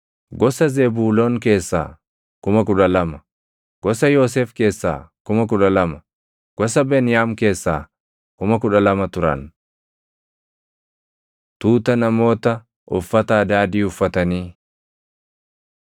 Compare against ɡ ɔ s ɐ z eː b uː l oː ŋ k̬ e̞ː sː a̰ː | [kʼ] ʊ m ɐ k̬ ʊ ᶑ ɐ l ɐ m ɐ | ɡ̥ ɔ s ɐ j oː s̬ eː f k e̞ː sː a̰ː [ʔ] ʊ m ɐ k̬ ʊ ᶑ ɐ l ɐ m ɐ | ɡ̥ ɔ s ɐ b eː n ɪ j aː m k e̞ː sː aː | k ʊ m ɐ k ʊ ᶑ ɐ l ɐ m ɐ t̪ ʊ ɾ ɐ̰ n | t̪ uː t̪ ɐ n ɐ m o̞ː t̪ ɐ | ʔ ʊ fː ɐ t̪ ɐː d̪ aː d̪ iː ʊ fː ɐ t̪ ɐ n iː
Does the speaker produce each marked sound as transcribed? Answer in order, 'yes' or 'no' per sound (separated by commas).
no, no